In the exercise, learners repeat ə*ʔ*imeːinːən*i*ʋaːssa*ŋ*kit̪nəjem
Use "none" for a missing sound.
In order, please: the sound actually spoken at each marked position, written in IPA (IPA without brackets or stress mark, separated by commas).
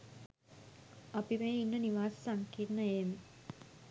p, i, ŋ